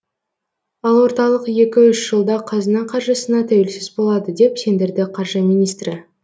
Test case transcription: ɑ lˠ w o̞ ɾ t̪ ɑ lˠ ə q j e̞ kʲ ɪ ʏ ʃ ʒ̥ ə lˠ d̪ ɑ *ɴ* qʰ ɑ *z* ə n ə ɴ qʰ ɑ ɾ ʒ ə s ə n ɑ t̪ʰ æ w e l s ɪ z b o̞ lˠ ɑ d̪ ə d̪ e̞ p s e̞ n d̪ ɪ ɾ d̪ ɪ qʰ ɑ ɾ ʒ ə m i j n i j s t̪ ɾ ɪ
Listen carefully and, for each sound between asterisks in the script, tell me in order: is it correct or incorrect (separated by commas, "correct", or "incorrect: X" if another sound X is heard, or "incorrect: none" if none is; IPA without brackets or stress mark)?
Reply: incorrect: none, correct